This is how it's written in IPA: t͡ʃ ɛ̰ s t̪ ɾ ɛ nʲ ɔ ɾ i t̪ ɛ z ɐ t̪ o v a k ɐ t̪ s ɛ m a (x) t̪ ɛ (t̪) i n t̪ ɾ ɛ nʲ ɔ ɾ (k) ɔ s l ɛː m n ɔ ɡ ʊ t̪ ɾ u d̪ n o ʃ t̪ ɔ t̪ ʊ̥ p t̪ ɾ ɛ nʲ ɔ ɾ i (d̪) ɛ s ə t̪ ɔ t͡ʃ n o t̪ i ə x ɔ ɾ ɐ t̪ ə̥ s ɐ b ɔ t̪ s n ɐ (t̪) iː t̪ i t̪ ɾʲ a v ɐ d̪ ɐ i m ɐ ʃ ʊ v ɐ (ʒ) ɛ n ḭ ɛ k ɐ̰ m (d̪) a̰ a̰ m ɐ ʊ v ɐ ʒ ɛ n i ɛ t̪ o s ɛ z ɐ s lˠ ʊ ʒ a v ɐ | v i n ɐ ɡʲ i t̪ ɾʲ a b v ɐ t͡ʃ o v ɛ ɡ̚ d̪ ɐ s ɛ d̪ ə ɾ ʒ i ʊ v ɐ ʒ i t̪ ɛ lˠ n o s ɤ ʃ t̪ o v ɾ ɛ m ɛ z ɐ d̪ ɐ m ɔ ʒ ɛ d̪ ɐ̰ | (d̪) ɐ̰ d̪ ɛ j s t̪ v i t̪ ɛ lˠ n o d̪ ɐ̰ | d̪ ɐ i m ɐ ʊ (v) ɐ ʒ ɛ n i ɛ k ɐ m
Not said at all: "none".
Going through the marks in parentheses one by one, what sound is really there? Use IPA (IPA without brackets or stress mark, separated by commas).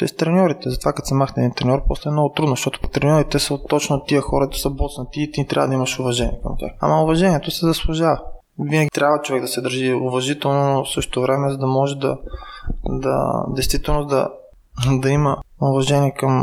x, d̪, p, t̪, t̪, ʒ, t̪, d̪, v